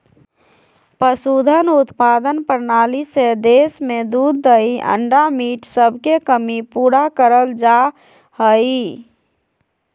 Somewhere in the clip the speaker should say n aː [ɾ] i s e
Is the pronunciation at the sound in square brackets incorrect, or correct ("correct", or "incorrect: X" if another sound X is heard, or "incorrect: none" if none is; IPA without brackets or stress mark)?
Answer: incorrect: l